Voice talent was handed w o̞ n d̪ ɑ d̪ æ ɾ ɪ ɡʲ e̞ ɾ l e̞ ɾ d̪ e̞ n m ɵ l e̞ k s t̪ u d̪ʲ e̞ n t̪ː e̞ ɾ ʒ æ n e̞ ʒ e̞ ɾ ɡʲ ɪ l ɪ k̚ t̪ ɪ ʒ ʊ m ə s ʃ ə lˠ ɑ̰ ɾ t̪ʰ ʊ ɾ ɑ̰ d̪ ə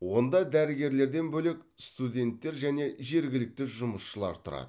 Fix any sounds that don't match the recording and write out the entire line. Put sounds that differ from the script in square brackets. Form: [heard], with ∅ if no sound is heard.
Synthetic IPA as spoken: w o̞ n d̪ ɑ d̪ æ ɾ ɪ ɡʲ e̞ ɾ l e̞ ɾ d̪ e̞ n [b] ɵ l e̞ k s t̪ u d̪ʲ e̞ n t̪ː e̞ ɾ ʒ æ n e̞ ʒ e̞ ɾ ɡʲ ɪ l ɪ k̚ t̪ ɪ ʒ ʊ m ə s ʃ ə lˠ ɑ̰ ɾ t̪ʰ ʊ ɾ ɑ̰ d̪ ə